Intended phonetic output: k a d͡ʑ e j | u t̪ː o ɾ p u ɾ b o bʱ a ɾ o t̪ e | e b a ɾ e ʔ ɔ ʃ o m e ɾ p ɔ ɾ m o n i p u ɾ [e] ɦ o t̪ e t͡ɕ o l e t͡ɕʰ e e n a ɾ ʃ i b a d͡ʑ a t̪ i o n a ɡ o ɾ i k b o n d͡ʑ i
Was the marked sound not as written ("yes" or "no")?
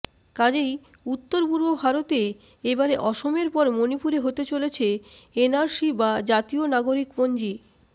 no